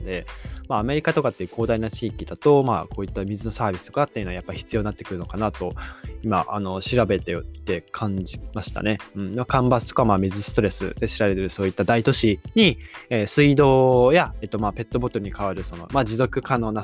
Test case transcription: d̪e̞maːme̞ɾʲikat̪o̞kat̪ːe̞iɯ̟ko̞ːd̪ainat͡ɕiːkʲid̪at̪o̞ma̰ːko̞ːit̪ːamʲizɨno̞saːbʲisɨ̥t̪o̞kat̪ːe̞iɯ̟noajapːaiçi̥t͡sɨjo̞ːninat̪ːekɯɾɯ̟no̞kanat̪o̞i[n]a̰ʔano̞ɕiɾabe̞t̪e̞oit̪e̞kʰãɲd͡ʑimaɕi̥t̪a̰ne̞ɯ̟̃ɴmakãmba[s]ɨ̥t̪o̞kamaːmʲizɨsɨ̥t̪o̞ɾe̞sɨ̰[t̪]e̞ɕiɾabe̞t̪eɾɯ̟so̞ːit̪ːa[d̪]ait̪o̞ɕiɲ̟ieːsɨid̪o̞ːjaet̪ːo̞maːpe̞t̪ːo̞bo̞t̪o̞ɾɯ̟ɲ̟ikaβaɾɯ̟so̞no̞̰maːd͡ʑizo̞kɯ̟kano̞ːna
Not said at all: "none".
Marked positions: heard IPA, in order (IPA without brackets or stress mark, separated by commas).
m, s, d̪, d̪